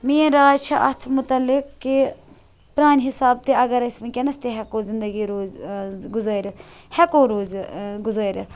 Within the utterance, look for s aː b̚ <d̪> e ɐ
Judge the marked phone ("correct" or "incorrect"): incorrect